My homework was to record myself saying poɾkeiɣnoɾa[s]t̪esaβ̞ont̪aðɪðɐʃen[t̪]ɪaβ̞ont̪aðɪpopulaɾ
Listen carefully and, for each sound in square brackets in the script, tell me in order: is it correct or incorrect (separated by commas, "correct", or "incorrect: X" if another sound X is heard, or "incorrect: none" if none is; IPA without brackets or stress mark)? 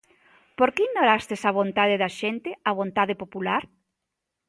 correct, correct